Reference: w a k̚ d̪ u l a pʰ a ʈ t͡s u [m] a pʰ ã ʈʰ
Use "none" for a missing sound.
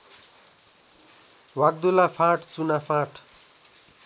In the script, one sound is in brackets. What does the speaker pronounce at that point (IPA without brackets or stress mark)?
n